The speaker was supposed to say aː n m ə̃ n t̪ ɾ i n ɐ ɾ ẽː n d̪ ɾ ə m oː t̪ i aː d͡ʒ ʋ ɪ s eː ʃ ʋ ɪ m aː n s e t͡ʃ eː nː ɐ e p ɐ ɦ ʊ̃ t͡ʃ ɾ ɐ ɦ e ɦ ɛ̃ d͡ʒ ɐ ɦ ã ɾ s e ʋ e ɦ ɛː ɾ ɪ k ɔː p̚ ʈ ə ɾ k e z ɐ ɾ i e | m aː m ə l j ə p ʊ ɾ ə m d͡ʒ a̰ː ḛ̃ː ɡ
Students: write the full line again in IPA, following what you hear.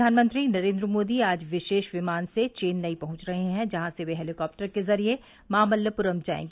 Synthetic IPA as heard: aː n m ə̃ n t̪ ɾ i n ɐ ɾ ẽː n d̪ ɾ ə m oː d̪ i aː d͡ʒ ʋ ɪ ʃ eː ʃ ʋ ɪ m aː n s e t͡ʃ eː nː ɐ i p ɐ ɦ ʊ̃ t͡ʃ ɾ ɐ ɦ e ɦ ɛ̃ d͡ʒ ɐ ɦ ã s e ʋ e ɦ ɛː l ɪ k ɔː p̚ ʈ ə ɾ k e z ɐ ɾ i e | m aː m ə l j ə p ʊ ɾ ə m d͡ʒ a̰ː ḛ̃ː ɡ